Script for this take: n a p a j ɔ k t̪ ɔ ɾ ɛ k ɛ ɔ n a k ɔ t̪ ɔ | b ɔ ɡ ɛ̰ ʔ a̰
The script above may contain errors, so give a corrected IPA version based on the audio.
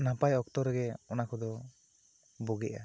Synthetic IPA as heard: n a p a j ɔ k t̪ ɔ ɾ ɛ ɡ ɛ ɔ n a k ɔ d̪ ɔ | b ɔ ɡ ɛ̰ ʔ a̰